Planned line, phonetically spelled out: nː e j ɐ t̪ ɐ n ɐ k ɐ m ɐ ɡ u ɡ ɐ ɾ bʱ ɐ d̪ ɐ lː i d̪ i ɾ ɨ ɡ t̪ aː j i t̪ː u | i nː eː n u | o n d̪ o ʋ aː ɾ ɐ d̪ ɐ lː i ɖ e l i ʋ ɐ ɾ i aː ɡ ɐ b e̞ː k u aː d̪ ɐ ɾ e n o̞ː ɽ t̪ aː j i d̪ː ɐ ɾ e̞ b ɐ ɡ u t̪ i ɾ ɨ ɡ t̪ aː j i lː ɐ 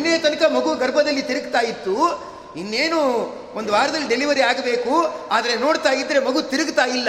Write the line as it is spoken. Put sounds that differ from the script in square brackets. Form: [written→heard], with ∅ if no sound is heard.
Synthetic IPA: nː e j ɐ t̪ ɐ n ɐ k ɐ m ɐ ɡ u ɡ ɐ ɾ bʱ ɐ d̪ ɐ lː i [d̪→t̪] i ɾ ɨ ɡ t̪ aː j i t̪ː u | i nː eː n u | o n d̪ [o→u] ʋ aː ɾ ɐ d̪ ɐ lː i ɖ e l i ʋ ɐ ɾ i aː ɡ ɐ b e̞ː k u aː d̪ ɐ ɾ e n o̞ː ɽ t̪ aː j i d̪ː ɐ ɾ e̞ [b→m] ɐ ɡ u t̪ i ɾ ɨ ɡ t̪ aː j i lː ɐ